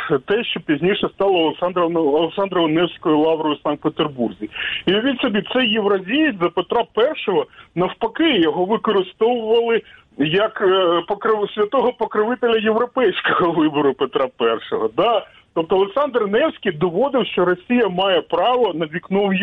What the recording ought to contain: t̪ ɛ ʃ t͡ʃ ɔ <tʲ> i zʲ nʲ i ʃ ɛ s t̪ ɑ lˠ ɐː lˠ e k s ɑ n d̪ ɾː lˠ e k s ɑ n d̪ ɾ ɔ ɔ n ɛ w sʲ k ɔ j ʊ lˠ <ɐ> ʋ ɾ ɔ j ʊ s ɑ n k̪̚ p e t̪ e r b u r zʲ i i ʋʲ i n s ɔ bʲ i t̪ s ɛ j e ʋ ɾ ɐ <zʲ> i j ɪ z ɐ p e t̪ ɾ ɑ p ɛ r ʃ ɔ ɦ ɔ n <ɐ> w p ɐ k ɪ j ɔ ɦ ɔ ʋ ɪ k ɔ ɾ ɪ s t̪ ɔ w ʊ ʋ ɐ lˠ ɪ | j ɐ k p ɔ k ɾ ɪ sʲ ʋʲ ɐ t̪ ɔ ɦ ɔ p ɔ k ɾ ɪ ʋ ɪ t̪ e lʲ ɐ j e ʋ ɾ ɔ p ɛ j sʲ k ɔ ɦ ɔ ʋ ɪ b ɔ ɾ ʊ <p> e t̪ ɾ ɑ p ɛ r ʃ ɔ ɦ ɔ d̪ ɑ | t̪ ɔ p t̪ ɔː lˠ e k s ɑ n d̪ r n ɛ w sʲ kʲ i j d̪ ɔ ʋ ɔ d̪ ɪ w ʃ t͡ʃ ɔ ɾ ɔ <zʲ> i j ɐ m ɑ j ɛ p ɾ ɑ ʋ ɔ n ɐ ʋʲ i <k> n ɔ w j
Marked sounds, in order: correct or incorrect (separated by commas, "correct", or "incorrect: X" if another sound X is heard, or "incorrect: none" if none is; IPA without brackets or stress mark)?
incorrect: pʲ, incorrect: ɑ, correct, correct, correct, incorrect: sʲ, correct